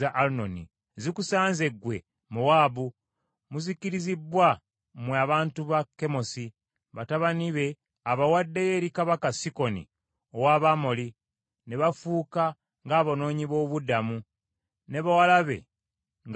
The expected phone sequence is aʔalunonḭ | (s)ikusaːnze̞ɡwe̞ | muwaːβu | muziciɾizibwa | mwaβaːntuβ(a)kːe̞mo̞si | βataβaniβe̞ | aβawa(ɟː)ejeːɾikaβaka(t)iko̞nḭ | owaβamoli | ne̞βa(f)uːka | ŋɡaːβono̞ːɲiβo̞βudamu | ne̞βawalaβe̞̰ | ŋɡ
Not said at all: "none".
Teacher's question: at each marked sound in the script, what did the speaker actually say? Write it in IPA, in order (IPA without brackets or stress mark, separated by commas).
z, a, dː, s, f